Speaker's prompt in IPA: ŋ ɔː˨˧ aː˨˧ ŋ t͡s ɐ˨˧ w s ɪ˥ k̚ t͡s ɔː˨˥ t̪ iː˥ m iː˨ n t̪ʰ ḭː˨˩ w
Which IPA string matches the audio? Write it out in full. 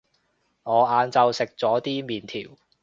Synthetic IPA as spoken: ŋ ɔː˨˧ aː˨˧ n t͡s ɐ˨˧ w s ɪ˨ k̚ t͡s ɔː˨˥ t̪ iː˥ m iː˨ n t̪ʰ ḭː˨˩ w